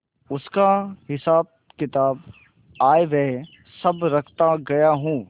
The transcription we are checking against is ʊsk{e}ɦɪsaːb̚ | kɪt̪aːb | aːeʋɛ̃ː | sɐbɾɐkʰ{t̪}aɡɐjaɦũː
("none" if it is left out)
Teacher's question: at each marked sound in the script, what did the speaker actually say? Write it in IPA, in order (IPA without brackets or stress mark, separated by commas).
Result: a, t̪